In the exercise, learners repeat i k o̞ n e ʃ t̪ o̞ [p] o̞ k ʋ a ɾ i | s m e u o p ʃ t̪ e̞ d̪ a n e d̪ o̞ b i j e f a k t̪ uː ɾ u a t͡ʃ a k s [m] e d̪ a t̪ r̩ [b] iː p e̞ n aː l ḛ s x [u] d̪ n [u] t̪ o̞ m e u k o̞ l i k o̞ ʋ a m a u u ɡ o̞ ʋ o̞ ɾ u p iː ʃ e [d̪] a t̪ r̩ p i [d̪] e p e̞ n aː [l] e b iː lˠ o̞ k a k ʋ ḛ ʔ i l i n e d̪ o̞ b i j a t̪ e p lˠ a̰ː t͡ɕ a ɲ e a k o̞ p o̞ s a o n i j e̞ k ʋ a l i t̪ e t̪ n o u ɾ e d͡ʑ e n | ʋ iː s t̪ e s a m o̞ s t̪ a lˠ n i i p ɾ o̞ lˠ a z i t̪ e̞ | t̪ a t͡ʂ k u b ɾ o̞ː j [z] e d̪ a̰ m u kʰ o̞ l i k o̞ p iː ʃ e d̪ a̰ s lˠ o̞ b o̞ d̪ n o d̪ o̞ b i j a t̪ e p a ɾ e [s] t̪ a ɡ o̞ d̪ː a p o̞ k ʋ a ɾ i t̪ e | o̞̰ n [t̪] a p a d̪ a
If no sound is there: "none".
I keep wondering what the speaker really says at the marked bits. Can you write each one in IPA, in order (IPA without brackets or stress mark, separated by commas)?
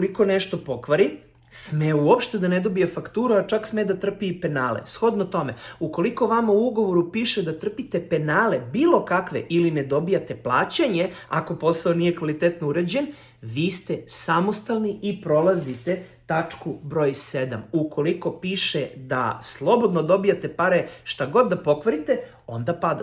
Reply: p, m, p, o, o, d̪, t̪, l, s, ʃ, d̪